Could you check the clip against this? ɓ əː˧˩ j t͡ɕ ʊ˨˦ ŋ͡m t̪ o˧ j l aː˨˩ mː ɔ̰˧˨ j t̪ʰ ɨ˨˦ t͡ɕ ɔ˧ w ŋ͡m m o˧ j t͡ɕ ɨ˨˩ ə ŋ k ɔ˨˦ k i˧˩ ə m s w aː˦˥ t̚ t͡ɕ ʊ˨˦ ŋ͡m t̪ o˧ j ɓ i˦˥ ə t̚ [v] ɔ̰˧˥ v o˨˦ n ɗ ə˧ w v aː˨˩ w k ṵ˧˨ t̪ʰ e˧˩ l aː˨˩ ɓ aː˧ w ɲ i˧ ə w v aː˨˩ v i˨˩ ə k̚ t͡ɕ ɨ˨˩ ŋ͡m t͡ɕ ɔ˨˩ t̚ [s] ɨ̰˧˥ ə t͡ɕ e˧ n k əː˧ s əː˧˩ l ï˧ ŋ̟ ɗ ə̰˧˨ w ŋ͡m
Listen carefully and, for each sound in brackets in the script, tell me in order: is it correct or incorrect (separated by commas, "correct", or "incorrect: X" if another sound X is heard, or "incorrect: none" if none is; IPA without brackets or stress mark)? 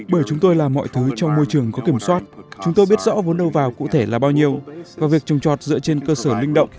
incorrect: z, incorrect: z